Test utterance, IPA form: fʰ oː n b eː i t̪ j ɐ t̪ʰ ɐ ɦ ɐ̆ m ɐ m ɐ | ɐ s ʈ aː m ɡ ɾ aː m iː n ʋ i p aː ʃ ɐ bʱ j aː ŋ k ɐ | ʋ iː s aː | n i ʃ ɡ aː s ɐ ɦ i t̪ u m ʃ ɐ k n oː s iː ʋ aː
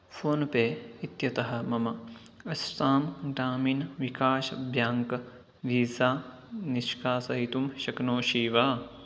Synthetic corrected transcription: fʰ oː n p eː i t̪ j ɐ t̪ ɐ ɦ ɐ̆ m ɐ m ɐ | ɐ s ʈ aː m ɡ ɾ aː m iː n ʋ i k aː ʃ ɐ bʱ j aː ŋ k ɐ | ʋ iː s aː | n i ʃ k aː s ɐ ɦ i t̪ u m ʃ ɐ k n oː ʃ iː ʋ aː